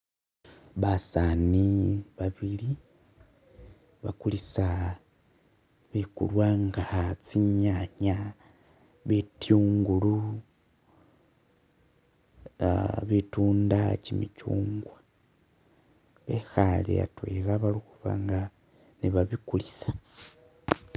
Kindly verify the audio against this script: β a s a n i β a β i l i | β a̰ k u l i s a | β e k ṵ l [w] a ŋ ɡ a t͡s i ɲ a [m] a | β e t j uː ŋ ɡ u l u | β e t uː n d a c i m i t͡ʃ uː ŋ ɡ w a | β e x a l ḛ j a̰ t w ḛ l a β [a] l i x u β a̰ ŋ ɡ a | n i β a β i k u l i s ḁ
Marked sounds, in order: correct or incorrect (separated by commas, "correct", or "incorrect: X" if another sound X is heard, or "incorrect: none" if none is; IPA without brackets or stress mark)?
correct, incorrect: ɲ, correct